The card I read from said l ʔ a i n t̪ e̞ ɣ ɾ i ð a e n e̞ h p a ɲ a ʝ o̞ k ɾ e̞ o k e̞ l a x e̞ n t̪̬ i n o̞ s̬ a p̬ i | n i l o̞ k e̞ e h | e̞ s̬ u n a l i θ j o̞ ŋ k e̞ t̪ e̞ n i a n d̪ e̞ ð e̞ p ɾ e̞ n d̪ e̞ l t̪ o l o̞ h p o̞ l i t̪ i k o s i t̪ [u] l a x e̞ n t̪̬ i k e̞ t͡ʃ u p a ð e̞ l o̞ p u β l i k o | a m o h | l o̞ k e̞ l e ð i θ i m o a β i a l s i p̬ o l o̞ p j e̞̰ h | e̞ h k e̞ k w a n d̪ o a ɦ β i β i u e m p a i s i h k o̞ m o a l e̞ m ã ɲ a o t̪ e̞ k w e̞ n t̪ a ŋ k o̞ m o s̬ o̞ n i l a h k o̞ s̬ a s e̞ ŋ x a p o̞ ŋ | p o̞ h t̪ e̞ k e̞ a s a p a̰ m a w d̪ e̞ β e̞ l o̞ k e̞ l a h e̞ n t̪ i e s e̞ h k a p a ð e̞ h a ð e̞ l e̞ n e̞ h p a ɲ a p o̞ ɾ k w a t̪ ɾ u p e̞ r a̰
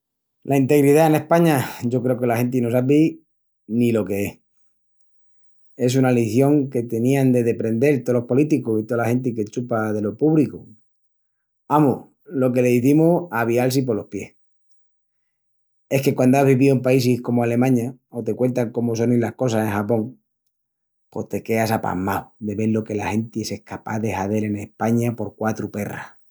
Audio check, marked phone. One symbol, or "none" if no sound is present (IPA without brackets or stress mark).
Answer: o